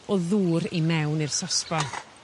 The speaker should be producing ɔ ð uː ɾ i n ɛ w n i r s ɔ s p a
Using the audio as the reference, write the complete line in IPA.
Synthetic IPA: ɔ ð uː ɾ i m ɛ w n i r s ɔ s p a